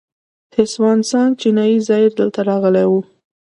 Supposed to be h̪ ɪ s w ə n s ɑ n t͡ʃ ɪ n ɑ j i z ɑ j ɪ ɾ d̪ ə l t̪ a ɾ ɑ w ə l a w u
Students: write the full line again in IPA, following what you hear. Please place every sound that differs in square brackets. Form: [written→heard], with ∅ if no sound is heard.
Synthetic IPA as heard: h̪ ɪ s w [ə→ɑ] n s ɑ n t͡ʃ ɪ n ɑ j i z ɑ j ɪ ɾ d̪ ə l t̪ a ɾ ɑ [w→ɣ] ə l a w u